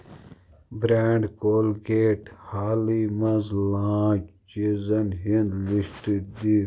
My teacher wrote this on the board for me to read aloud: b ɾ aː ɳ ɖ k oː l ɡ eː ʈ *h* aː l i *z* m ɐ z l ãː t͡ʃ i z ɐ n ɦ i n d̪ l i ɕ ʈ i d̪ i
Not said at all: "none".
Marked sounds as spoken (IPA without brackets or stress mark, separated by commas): h, none